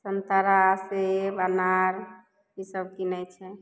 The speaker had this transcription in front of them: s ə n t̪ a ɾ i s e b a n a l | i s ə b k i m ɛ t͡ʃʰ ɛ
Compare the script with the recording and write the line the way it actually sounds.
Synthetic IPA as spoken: s ə n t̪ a ɾ a s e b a n a ɾ | i s ə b k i n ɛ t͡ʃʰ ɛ